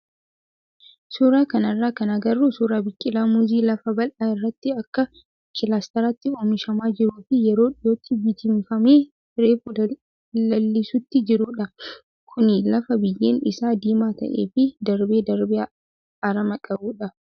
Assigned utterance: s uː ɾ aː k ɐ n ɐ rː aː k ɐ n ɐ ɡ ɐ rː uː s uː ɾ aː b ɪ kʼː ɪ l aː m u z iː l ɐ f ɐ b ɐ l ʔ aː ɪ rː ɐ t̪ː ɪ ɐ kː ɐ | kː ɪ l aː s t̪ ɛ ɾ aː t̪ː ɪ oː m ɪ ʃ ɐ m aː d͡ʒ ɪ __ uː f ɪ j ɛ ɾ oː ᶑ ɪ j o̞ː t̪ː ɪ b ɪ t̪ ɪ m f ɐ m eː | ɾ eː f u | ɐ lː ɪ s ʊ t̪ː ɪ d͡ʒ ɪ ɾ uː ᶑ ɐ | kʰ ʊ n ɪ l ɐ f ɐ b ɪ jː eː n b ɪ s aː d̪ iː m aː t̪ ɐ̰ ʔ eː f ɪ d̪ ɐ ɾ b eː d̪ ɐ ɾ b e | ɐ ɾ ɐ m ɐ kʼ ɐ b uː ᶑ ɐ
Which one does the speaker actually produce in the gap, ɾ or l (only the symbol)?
ɾ